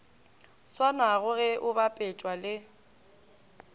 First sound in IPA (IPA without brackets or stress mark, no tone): s